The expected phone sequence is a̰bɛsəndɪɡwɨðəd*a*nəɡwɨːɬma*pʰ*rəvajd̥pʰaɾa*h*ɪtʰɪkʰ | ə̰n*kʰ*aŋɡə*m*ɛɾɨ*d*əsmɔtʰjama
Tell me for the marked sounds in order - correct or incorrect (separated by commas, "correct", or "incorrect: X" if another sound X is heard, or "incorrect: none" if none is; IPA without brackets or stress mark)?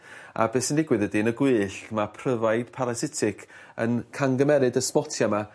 incorrect: i, correct, incorrect: s, correct, correct, correct